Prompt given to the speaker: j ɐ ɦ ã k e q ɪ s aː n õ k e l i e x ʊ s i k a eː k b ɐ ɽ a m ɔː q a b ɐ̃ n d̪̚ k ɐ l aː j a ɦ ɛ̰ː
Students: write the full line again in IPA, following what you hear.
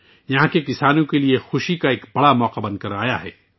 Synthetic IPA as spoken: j ɐ ɦ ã k e k ɪ s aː n õ k e l i e x ʊ ʃ i k a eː k b ɐ ɽ a m ɔː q a b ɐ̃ n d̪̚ k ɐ ɾ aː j a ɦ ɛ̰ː